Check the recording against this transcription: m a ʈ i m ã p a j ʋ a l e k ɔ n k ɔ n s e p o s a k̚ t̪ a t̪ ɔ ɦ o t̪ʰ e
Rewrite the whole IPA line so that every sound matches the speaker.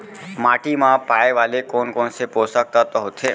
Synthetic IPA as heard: m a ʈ i m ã p a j ʋ a l e k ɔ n k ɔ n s e p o s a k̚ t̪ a t̪ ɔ ɦ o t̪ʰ e